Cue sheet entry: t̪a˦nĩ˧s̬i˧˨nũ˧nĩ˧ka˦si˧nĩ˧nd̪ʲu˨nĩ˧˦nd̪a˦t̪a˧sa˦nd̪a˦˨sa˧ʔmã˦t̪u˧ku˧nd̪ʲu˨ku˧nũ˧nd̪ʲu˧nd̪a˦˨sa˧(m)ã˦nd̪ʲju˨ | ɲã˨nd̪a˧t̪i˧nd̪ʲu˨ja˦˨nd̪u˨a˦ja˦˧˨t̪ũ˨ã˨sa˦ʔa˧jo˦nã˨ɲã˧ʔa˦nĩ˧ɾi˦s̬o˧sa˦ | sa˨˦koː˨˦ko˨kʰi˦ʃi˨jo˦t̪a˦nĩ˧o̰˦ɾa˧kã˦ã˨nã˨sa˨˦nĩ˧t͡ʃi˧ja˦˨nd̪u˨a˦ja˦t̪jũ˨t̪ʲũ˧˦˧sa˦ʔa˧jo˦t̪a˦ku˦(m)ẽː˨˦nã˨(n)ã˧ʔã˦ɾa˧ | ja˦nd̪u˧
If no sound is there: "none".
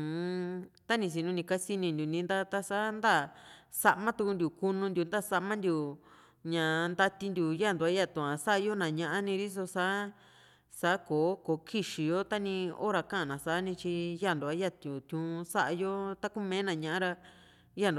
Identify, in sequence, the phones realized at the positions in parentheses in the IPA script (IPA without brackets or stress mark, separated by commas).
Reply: m, m, ɲ